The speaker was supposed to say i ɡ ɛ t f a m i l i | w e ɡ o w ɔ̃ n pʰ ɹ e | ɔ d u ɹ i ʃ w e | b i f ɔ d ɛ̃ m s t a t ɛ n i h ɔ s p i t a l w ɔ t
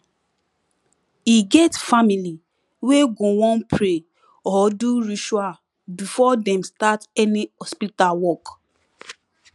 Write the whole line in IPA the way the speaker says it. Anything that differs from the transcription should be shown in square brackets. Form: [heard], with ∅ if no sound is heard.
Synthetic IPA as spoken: i ɡ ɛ t f a m i l i | w e ɡ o w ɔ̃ n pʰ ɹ e | ɔ d u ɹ i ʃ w [a] | b i f ɔ d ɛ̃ m s t a t ɛ n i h ɔ s p i t a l w ɔ [k]